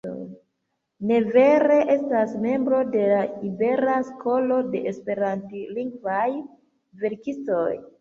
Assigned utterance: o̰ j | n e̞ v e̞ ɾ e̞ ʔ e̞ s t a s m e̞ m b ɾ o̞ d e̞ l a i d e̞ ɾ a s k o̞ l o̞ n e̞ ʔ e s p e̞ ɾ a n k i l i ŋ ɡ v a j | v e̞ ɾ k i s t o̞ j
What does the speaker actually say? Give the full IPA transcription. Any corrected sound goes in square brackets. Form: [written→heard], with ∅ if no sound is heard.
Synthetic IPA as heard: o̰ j | n e̞ v e̞ ɾ e̞ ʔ e̞ s t a s m e̞ m b ɾ o̞ d e̞ l a i [d→b] e̞ ɾ a s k o̞ l o̞ [n→d] e̞ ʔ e s p e̞ ɾ a n [k→t] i l i ŋ ɡ v a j | v e̞ ɾ k i s t o̞ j